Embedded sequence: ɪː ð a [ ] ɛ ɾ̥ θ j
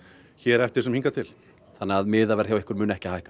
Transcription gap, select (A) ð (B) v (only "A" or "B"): B